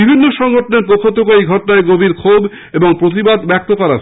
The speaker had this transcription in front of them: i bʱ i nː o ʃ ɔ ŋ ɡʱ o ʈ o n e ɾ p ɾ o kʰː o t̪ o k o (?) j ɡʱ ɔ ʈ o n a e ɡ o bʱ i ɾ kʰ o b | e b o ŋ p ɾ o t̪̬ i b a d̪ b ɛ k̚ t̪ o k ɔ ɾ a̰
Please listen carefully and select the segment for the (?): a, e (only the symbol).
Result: e